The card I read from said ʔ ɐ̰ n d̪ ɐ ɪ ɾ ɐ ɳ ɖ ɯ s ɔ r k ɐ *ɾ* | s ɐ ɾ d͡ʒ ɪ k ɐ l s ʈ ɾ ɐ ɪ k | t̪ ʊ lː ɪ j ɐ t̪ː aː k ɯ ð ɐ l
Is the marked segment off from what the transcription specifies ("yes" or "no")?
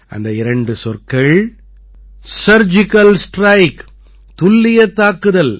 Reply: yes